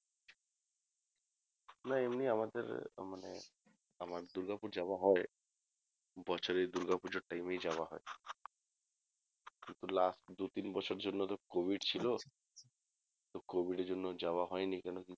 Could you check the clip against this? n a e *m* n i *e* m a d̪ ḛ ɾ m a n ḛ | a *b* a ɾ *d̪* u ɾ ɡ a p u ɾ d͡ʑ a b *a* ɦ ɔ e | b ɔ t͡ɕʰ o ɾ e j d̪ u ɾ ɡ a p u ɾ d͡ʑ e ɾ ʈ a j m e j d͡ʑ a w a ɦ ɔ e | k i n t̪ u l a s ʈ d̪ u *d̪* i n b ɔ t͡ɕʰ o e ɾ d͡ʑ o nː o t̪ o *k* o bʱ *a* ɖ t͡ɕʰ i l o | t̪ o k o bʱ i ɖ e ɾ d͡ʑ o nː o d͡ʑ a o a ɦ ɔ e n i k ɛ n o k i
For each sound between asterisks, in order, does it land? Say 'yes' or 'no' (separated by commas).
yes, no, no, yes, yes, no, yes, no